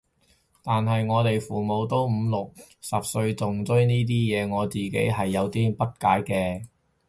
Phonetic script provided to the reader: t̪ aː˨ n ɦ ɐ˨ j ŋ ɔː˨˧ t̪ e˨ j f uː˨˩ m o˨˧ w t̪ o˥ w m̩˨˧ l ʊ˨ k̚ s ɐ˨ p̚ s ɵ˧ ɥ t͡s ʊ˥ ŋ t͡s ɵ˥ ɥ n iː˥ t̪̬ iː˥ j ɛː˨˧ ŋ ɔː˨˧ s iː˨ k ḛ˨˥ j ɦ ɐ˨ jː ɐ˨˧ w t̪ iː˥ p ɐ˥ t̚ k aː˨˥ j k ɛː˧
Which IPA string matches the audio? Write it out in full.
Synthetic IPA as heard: t̪ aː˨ n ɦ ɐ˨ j ŋ ɔː˨˧ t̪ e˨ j f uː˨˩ m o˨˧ w t̪ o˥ w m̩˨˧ l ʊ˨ k̚ s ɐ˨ p̚ s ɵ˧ ɥ t͡s ʊ˨ ŋ t͡s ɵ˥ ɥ n iː˥ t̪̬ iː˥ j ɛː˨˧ ŋ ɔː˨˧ t͡s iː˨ k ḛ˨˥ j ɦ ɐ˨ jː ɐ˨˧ w t̪ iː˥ p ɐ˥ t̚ k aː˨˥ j k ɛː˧